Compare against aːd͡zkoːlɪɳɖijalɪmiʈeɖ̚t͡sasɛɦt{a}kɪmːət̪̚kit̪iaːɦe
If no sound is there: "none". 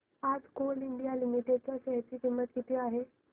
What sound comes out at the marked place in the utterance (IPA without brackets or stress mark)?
i